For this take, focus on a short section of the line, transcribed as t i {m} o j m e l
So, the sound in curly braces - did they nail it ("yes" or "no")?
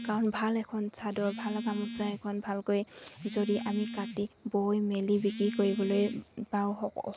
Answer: no